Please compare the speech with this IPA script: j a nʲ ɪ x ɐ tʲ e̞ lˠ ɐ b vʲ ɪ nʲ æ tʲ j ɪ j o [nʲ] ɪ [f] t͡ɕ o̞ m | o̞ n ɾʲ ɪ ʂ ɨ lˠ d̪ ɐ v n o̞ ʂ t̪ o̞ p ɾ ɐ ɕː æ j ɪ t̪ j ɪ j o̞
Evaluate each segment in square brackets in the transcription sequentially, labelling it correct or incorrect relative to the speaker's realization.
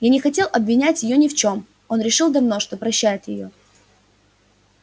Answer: correct, correct

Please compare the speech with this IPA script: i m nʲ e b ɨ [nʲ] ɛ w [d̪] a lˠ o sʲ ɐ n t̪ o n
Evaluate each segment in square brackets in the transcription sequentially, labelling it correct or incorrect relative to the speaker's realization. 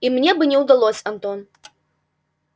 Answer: correct, correct

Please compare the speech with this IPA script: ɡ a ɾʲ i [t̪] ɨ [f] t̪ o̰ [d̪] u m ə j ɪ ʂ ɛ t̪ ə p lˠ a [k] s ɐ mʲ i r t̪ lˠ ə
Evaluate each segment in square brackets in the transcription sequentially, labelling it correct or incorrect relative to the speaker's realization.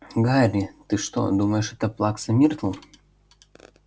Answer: correct, incorrect: ʂ, correct, correct

